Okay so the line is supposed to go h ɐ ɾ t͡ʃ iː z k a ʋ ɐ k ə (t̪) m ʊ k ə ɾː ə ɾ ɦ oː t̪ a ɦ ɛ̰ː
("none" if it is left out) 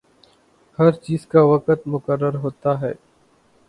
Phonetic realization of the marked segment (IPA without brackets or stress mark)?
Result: t̪